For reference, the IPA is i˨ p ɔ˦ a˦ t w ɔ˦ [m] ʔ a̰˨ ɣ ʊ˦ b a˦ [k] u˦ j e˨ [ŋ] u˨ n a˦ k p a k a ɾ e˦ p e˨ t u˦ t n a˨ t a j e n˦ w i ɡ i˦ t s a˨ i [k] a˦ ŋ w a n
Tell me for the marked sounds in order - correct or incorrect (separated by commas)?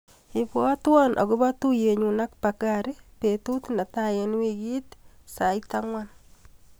incorrect, incorrect, incorrect, incorrect